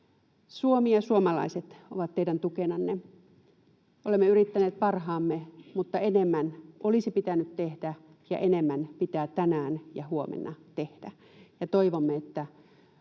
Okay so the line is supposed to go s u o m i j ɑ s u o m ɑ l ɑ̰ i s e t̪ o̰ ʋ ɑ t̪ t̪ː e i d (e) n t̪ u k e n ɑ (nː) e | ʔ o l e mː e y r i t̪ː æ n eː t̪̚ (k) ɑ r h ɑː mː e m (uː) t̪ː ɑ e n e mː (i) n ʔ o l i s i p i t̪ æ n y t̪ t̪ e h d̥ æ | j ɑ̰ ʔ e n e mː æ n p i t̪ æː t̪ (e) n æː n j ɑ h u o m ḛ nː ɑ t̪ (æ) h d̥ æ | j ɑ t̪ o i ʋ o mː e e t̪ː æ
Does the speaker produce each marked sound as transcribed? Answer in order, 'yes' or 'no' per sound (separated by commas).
no, yes, no, no, no, no, no